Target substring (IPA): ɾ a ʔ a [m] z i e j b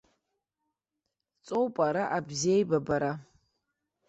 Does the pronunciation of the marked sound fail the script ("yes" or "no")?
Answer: yes